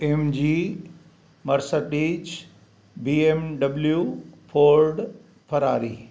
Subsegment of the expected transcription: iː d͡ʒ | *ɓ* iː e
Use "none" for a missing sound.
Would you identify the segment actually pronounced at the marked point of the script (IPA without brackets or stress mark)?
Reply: b